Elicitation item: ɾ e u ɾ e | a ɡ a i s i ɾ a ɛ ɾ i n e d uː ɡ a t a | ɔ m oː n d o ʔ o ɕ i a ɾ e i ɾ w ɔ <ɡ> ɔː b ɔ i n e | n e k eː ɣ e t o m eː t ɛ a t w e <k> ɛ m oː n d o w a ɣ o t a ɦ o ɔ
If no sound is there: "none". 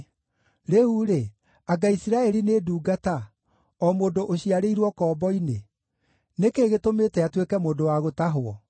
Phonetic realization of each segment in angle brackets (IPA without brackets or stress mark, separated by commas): k, k